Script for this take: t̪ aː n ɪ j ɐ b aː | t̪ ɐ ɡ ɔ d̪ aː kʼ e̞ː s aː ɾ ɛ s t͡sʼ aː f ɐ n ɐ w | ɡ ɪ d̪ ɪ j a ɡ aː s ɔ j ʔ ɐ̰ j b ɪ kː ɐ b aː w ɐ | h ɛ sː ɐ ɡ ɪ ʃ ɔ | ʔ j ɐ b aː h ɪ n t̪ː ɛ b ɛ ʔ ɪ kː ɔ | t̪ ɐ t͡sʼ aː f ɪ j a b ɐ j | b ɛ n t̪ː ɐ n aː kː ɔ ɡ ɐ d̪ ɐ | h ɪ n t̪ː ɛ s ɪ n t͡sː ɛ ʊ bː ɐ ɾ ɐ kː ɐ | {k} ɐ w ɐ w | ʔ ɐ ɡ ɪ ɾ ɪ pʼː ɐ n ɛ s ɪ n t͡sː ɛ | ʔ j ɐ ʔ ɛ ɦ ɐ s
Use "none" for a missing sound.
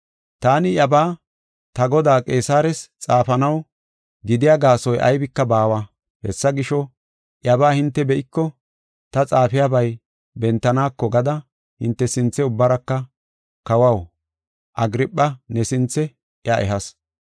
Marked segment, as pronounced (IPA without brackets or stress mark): k